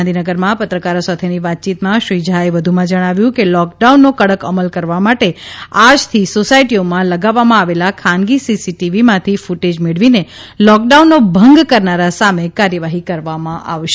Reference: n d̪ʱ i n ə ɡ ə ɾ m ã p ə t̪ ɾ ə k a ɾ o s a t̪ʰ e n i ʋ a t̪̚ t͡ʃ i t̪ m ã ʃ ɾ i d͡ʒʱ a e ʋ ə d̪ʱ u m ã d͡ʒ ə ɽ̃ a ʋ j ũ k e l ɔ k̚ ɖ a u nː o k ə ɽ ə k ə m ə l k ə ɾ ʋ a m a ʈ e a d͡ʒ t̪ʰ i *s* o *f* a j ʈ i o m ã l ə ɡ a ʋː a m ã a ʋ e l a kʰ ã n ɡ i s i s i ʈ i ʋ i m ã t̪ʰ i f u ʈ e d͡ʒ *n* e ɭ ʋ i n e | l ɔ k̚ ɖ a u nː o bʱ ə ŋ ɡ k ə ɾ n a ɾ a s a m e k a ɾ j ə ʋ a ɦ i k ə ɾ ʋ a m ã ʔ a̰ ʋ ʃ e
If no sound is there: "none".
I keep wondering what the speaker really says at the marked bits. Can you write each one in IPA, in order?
s, s, m

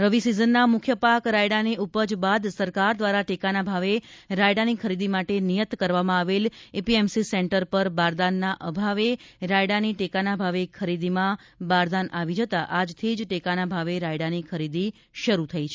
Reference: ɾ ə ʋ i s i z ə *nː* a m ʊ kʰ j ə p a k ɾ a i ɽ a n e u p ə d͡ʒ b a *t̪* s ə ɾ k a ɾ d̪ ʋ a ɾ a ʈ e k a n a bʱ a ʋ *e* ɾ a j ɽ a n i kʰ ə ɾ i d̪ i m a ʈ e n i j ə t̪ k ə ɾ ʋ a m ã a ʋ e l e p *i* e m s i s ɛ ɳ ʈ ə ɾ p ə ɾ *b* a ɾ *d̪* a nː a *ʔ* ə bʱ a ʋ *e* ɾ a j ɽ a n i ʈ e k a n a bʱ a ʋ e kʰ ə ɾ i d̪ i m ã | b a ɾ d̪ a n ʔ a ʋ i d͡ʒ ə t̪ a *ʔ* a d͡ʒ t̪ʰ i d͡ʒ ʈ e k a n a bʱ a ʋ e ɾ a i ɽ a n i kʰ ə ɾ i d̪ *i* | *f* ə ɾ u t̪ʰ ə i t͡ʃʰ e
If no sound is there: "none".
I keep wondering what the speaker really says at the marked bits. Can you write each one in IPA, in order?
nː, d̪, e, i, b, d̪, ʔ, e, ʔ, i, ʃ

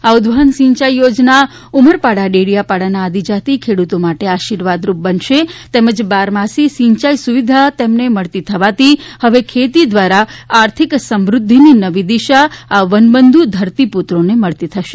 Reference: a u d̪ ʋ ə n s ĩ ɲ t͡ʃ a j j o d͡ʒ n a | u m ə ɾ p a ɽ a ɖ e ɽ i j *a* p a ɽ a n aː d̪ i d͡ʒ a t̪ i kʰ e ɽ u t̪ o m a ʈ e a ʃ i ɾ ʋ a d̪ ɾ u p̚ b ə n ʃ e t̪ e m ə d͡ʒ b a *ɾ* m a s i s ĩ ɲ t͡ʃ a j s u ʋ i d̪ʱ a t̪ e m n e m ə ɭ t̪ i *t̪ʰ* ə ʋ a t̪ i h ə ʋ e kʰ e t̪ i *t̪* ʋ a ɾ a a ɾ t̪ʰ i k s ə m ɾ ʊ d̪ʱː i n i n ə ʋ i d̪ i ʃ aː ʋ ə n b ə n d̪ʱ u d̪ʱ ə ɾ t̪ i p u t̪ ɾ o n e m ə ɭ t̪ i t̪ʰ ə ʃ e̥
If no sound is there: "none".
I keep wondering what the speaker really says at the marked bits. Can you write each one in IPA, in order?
a, ɾ, t̪ʰ, d̪

